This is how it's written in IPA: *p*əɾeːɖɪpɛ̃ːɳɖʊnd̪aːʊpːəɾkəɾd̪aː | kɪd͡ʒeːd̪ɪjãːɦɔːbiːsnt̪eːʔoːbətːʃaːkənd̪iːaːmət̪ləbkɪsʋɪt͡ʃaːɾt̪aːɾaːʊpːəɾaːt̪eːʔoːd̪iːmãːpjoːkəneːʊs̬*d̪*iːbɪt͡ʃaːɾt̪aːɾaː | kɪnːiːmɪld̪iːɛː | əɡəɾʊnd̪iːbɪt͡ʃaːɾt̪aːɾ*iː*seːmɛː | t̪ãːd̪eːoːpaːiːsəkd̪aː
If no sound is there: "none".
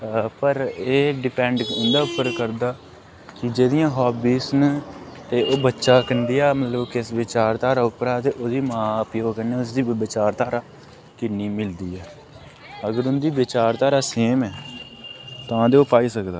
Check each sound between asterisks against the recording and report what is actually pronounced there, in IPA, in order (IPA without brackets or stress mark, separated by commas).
p, d̪, aː